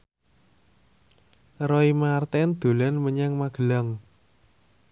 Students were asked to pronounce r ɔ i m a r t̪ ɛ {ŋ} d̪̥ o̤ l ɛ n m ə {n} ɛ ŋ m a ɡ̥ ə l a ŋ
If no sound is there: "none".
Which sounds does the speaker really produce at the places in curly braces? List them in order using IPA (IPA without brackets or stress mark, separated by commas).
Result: n, ɲ